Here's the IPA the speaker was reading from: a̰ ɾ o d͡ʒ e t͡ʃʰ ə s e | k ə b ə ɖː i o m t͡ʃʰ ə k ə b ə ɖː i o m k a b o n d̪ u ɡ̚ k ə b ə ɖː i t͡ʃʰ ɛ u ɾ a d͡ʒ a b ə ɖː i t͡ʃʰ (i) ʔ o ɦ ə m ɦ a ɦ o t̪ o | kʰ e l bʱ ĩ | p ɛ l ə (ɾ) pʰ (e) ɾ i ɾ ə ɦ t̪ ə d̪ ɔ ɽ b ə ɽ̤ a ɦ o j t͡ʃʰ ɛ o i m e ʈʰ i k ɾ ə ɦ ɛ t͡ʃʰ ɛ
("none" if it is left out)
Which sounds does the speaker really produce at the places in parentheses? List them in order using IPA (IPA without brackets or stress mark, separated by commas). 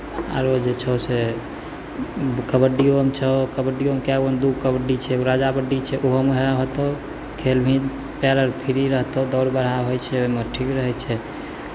ɛ, ɾ, i